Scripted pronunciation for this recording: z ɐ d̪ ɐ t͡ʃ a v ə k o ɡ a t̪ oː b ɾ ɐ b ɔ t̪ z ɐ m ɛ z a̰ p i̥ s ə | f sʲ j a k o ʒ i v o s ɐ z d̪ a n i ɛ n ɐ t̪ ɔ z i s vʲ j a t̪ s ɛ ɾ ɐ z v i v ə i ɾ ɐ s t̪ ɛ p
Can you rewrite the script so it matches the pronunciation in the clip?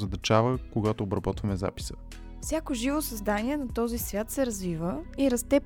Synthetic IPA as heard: z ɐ d̪ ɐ t͡ʃ a v ə k o ɡ a t̪ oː b ɾ ɐ b ɔ t̪ v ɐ m ɛ z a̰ p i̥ s ə | f sʲ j a k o ʒ i v o s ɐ z d̪ a n i ɛ n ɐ t̪ ɔ z i s vʲ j a t̪ s ɛ ɾ ɐ z v i v ə i ɾ ɐ s t̪ ɛ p